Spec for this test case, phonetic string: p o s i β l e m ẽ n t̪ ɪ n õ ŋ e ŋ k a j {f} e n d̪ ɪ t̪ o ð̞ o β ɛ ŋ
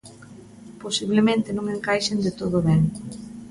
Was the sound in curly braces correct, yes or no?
no